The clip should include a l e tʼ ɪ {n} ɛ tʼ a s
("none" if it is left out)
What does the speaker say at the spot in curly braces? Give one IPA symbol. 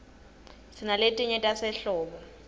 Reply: ɲ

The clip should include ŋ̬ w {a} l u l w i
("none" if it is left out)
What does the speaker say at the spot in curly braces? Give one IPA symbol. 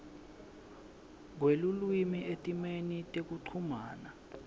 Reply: e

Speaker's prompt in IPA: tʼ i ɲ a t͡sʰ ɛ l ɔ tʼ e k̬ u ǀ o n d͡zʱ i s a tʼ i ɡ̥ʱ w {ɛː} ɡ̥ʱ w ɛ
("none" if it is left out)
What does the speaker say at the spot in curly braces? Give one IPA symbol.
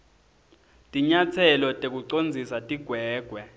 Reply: ɛː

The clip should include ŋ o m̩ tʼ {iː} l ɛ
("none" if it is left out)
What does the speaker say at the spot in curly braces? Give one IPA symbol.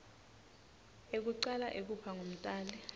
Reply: aː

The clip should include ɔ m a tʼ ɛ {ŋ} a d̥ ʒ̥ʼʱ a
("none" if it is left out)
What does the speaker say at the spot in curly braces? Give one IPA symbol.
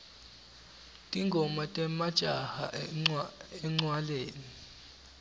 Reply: m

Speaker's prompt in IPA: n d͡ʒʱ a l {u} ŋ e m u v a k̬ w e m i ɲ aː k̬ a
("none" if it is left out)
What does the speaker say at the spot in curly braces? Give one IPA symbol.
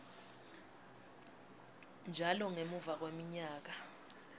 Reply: ɔ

